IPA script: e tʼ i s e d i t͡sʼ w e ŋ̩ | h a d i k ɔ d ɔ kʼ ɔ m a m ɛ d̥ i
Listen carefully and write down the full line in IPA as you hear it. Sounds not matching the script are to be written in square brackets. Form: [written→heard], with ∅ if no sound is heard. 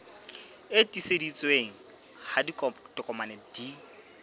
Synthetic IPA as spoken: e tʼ i s e d i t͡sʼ w e ŋ̩ | h a d i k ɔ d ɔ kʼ ɔ m a [m→n] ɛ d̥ i